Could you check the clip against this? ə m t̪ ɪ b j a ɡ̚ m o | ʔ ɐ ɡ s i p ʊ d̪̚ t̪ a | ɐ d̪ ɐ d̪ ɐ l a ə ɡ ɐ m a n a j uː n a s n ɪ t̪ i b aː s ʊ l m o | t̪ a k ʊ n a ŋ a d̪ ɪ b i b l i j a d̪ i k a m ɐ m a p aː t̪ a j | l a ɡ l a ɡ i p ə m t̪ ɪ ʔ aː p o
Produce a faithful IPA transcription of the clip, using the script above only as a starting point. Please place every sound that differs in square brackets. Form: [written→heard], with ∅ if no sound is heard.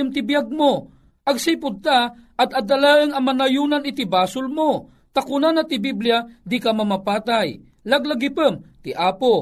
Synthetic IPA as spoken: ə m t̪ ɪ b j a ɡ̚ m o | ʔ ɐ ɡ s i p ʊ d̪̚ t̪ a | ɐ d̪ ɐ d̪ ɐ l a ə [ɡ→ŋ] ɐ m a n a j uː n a [s→∅] n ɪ t̪ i b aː s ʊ l m o | t̪ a k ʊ n a [ŋ→n] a [d̪→t̪] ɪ b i b l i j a d̪ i k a m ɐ m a p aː t̪ a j | l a ɡ l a ɡ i p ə m t̪ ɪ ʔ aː p o